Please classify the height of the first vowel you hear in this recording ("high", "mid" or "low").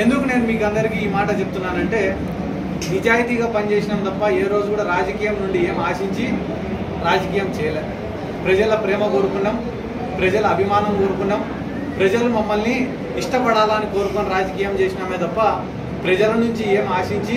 mid